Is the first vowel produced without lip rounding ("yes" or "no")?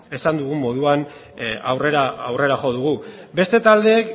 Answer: yes